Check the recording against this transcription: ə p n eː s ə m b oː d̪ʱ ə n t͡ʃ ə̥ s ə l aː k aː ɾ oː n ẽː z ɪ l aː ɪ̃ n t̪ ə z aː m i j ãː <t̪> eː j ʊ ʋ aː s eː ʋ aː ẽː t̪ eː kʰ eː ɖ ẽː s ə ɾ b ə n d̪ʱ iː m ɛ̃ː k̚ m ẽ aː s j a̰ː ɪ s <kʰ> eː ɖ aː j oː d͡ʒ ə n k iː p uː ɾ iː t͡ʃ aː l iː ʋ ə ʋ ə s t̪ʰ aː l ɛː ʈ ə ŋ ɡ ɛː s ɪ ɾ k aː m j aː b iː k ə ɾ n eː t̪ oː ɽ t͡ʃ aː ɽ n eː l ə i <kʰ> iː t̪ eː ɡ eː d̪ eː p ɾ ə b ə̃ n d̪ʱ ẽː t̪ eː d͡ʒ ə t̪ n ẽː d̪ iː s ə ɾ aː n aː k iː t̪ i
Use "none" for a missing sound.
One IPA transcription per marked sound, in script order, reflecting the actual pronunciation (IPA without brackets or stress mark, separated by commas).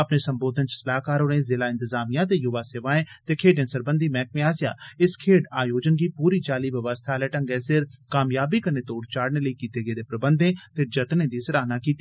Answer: t̪, kʰ, k